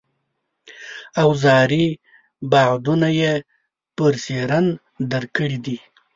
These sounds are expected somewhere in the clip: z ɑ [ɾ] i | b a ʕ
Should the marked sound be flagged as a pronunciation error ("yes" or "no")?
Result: no